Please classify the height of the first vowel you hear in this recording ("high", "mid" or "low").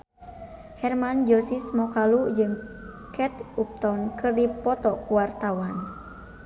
mid